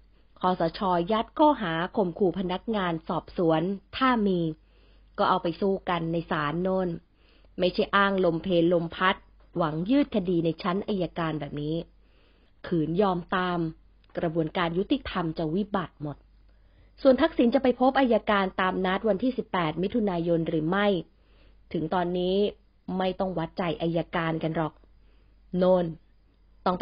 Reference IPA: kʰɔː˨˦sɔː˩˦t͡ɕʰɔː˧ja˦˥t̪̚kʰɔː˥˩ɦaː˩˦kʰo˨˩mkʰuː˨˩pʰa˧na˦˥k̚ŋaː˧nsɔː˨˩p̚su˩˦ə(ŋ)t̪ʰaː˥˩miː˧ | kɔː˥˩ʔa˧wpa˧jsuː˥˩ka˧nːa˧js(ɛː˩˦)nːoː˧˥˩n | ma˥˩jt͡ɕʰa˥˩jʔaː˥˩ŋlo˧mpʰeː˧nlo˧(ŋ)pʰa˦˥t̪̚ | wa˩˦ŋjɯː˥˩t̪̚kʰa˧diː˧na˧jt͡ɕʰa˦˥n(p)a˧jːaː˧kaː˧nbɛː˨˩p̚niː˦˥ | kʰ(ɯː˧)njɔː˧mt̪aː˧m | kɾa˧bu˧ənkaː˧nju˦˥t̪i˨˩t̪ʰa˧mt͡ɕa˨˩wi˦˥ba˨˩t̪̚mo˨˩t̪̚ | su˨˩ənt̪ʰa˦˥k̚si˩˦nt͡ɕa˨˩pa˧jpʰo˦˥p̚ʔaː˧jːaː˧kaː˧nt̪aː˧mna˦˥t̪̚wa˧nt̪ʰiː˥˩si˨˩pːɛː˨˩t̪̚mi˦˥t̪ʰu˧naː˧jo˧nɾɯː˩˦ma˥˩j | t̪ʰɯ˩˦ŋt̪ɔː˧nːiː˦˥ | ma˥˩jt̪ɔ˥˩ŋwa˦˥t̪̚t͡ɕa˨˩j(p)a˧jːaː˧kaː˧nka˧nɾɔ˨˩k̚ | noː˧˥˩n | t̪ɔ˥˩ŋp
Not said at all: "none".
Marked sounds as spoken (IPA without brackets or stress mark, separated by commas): n, aː˩˦, m, ʔ, ɯː˩˦, ʔ